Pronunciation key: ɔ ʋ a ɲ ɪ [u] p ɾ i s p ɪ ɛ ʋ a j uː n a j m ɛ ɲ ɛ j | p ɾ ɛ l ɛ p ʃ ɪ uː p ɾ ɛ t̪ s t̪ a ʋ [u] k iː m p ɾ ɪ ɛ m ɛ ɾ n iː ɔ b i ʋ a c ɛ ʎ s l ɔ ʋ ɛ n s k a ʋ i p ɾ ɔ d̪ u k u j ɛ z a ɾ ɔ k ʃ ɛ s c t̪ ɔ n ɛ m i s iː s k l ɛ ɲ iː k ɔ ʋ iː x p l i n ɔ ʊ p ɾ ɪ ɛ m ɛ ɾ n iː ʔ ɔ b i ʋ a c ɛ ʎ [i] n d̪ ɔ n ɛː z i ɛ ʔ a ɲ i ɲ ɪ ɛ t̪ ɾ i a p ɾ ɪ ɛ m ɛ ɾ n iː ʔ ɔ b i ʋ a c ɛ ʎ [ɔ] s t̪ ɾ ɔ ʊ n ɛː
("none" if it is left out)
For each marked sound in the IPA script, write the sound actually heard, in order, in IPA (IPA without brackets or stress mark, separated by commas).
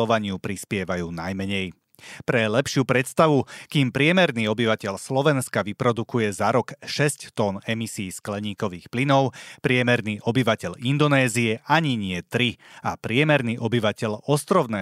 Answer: u, u, i, ɔ